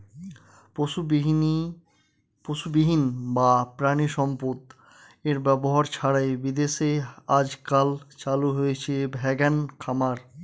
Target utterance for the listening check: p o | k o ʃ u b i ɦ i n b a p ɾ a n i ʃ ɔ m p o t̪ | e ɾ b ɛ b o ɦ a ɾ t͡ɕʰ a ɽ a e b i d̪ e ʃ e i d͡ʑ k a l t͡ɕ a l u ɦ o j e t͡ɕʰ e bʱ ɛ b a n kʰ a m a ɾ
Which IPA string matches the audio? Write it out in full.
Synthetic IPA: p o | p o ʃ u b i ɦ i n b a p ɾ a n i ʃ ɔ m p o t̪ | e ɾ b ɛ b o ɦ a ɾ t͡ɕʰ a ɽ a e b i d̪ e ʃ e a d͡ʑ k a l t͡ɕ a l u ɦ o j e t͡ɕʰ e bʱ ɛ ɡ a n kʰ a m a ɾ

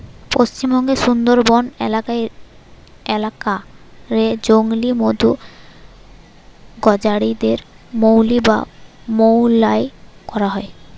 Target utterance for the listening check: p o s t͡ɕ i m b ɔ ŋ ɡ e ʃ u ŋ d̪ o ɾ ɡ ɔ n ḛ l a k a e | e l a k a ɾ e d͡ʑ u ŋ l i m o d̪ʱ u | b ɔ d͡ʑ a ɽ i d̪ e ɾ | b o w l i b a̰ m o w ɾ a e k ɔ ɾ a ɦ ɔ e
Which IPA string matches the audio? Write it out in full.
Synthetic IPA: p o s t͡ɕ i m b ɔ ŋ ɡ e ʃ u n d̪ o ɾ b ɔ n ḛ l a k a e | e l a k a ɾ e d͡ʑ o ŋ l i m o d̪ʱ u | ɡ ɔ d͡ʑ a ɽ i d̪ e ɾ | m o w l i b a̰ m o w l a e k ɔ ɾ a ɦ ɔ e

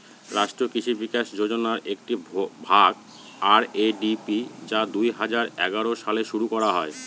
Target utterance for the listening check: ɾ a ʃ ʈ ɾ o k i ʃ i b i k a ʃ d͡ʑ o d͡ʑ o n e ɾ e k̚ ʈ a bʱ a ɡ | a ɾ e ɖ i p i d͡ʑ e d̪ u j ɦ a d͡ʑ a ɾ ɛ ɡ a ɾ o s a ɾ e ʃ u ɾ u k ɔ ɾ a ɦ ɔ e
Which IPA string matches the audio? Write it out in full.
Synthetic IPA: ɾ a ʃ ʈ ɾ o k i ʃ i b i k a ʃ d͡ʑ o d͡ʑ o n a ɾ e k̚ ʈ i bʱ a ɡ | a ɾ e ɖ i p i d͡ʑ a d̪ u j ɦ a d͡ʑ a ɾ ɛ ɡ a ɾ o ʃ a l e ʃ u ɾ u k ɔ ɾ a ɦ ɔ e

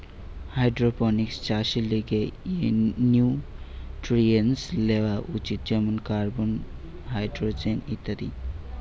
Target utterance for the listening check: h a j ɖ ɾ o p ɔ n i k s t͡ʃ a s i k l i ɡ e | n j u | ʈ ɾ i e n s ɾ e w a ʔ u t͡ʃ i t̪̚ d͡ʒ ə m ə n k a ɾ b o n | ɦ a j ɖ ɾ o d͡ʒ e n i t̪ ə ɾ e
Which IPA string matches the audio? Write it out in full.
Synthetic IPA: h a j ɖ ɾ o p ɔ n i k s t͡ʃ a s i l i ɡ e | n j u | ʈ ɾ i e n s l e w a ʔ u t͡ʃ i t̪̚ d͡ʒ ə m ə n k a ɾ b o n | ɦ a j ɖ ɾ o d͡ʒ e n i t̪ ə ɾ i

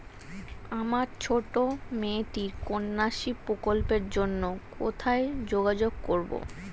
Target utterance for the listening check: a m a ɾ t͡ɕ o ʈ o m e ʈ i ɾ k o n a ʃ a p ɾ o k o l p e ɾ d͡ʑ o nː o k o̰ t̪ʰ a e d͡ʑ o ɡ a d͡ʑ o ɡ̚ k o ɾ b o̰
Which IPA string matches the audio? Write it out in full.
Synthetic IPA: a m a ɾ t͡ɕʰ o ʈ o m e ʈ i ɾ k o nː a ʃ i p ɾ o k o l p e ɾ d͡ʑ o nː o k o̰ t̪ʰ a e d͡ʑ o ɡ a d͡ʑ o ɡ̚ k o ɾ b o̰

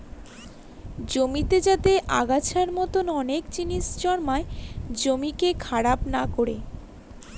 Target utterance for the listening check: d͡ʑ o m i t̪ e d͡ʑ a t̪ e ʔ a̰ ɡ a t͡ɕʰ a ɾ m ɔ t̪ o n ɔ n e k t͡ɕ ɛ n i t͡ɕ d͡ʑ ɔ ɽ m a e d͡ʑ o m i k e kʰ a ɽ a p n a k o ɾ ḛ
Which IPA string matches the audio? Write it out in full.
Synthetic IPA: d͡ʑ o m i t̪ e d͡ʑ a t̪ e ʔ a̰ ɡ a t͡ɕʰ a ɾ m ɔ t̪ o n ɔ n e k t͡ɕ i n i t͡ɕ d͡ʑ ɔ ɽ m a e d͡ʑ o m i k e kʰ a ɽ a p n a k o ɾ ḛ

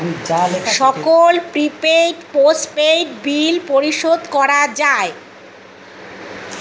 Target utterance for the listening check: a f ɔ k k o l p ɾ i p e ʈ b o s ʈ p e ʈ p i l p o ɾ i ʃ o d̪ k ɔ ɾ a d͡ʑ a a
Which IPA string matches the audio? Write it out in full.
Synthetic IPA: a ʃ ɔ k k o l p ɾ i p e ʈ p o s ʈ p e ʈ b i l p o ɾ i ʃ o d̪ k ɔ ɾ a d͡ʑ a e

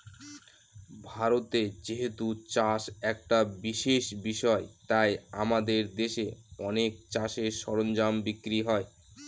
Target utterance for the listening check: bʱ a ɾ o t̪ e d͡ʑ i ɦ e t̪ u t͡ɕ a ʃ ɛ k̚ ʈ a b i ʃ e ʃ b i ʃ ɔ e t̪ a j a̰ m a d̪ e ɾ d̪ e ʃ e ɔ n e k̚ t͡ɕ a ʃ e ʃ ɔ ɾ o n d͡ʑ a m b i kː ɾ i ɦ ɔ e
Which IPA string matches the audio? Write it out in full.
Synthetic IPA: bʱ a ɾ o t̪ e d͡ʑ i ɦ e t̪ u t͡ɕ a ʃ ɛ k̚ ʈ a b i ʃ e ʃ b i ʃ ɔ e t̪ a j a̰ m a d̪ e ɾ d̪ e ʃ e ɔ n e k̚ t͡ɕ a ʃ e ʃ ɔ ɾ o n d͡ʑ a m b i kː ɾ i ɦ ɔ e

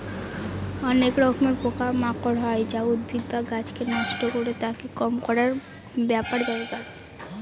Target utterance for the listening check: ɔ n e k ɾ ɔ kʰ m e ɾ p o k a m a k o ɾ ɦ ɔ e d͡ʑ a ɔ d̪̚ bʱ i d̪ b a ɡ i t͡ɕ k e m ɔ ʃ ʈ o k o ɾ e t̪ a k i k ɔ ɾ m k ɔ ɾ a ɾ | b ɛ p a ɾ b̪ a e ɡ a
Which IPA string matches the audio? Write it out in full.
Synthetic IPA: ɔ n e k ɾ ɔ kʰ m e ɾ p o k a m a k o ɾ ɦ ɔ e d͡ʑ a u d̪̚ bʱ i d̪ b a ɡ a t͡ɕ k e n ɔ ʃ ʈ o k o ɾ e t̪ a k e k ɔ m k ɔ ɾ a ɾ | b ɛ p a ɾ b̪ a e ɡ a

